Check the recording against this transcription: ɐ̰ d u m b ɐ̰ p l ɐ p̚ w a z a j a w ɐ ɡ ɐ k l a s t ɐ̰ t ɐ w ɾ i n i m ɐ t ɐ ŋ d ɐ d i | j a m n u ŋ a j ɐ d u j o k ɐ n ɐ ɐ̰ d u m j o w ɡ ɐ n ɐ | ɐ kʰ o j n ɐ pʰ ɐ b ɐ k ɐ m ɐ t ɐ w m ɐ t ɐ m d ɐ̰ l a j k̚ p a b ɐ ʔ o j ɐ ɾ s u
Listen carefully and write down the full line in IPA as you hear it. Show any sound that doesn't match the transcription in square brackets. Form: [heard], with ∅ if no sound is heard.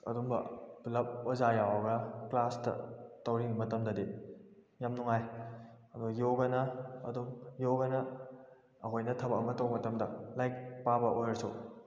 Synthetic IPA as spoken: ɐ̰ d u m b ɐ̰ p l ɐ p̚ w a z a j a w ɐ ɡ ɐ k l a s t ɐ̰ t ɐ w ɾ i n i m ɐ t ɐ [m] d ɐ d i | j a m n u ŋ a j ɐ d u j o [ɡ] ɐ n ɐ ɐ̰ d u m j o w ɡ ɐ n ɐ | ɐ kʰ o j n ɐ [tʰ] ɐ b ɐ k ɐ m ɐ t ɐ w m ɐ t ɐ m d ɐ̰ l a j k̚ p a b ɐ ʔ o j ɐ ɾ s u